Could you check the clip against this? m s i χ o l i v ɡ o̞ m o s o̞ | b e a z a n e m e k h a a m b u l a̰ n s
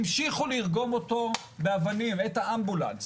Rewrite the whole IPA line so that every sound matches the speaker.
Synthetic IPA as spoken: m ʃ i χ u l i ʁ ɡ o̞ m o t o̞ | b e a v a n i m e t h a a m b u l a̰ n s